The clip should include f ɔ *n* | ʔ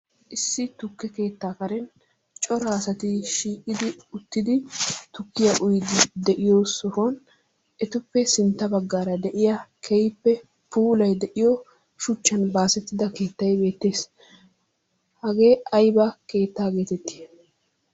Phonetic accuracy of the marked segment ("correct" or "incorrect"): correct